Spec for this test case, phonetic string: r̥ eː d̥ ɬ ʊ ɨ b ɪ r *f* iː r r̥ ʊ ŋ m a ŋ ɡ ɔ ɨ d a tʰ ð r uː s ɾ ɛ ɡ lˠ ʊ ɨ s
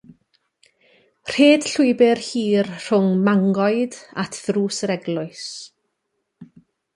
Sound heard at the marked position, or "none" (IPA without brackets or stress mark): h